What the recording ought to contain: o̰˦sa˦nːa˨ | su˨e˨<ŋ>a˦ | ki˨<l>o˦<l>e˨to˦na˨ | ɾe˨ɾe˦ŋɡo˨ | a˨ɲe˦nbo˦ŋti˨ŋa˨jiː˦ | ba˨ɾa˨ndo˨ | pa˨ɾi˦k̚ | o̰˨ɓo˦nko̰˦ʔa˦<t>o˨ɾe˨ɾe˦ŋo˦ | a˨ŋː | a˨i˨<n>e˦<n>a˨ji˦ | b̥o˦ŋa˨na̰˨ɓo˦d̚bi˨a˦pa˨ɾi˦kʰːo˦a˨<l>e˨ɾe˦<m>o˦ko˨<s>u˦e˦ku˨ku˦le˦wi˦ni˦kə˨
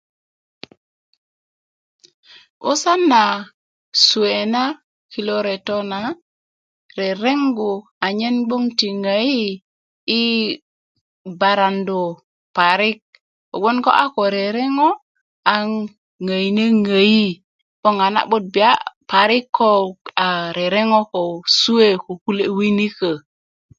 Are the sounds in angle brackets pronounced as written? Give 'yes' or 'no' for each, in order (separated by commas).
no, yes, no, no, yes, no, no, no, yes